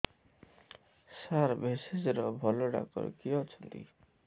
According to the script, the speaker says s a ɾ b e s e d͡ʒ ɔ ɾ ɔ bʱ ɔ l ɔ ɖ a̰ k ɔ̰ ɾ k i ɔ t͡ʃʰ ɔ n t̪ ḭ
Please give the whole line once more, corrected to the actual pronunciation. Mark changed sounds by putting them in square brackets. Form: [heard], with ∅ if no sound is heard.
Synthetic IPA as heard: s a ɾ b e s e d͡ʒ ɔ ɾ ɔ bʱ ɔ l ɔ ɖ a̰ k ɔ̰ ɾ k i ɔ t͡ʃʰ ɔ n t̪ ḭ